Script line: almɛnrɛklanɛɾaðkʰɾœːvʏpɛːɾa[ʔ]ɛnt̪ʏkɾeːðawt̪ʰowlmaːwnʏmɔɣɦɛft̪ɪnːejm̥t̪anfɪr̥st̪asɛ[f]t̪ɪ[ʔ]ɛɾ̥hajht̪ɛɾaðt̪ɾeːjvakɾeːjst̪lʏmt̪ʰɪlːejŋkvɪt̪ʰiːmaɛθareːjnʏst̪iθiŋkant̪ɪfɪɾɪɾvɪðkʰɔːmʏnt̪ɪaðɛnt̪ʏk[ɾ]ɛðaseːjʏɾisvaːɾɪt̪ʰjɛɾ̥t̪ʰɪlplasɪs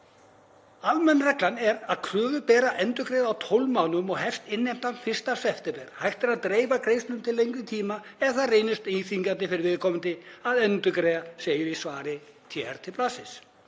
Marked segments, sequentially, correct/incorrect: correct, correct, incorrect, correct

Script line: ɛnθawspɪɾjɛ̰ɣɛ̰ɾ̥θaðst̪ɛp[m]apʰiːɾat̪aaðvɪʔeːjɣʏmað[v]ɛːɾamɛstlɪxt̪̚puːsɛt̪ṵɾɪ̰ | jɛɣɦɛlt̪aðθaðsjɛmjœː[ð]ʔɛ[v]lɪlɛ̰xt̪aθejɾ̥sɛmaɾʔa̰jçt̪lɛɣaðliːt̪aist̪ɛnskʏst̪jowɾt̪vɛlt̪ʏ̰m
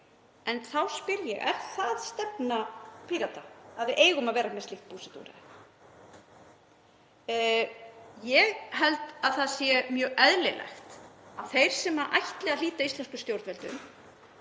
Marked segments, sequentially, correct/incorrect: incorrect, correct, incorrect, incorrect

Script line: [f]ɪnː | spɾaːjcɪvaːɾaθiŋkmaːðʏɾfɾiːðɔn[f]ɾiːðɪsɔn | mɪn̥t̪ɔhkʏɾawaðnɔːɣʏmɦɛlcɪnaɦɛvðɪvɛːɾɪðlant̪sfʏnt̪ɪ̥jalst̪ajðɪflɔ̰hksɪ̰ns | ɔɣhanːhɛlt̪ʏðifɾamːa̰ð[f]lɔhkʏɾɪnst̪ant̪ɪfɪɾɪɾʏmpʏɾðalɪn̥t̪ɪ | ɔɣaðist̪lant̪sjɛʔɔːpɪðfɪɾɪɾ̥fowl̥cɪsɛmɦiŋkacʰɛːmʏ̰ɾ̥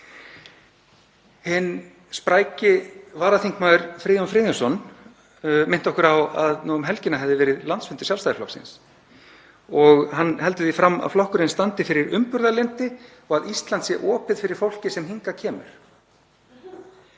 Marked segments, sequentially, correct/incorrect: incorrect, correct, correct

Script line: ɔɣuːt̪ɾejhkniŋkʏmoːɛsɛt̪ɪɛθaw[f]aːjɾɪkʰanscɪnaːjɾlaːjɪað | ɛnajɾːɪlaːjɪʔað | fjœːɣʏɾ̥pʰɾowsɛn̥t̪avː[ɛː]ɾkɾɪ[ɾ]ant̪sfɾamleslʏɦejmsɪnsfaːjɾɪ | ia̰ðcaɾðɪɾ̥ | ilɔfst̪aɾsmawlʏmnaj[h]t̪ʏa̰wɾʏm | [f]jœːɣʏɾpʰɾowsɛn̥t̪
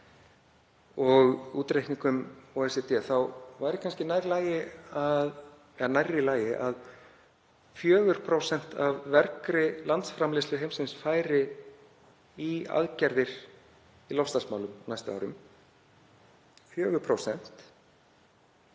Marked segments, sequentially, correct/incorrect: incorrect, incorrect, incorrect, incorrect, correct

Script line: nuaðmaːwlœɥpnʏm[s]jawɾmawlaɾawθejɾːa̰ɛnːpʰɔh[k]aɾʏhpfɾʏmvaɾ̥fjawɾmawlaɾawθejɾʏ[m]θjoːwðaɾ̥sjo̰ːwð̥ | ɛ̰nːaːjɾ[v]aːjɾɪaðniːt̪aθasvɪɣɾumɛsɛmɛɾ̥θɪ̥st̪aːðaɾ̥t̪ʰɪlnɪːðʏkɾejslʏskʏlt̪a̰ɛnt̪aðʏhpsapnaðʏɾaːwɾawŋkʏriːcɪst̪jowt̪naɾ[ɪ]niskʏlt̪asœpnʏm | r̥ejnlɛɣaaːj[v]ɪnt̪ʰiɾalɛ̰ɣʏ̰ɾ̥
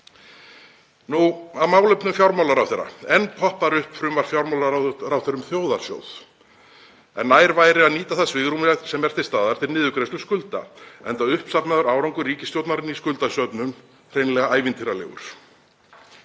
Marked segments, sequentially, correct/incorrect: incorrect, incorrect, correct, correct, correct, correct

